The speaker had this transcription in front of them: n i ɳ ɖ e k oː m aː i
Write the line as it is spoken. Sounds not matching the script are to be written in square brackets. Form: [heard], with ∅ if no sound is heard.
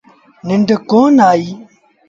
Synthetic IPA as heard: n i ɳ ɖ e k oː [n] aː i